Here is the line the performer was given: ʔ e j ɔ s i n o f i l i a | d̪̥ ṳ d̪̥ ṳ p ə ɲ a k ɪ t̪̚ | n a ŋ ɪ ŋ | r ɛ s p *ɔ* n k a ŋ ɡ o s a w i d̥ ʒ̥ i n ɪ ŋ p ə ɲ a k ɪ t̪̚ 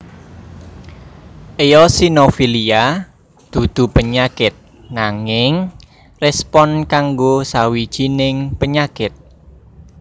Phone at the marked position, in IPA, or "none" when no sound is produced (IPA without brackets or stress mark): ɔ